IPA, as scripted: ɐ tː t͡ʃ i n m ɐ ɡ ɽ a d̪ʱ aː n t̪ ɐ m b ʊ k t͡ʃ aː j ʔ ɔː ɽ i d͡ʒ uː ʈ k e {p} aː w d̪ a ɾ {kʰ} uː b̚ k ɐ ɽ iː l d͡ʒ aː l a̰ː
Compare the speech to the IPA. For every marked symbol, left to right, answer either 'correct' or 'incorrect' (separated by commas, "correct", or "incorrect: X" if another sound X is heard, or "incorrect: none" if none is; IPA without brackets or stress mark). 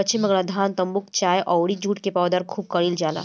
correct, correct